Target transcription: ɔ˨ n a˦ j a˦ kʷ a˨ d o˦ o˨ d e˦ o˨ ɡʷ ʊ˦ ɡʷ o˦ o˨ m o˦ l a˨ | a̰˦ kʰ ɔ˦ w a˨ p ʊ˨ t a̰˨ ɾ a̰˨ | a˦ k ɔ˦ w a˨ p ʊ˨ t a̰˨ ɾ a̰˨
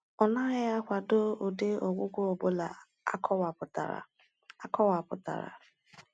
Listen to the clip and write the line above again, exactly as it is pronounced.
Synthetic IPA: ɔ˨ n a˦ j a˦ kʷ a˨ d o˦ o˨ d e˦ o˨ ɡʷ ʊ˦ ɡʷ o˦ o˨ b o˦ l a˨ | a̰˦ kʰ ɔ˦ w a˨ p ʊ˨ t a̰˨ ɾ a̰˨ | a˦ k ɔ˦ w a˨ p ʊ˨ t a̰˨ ɾ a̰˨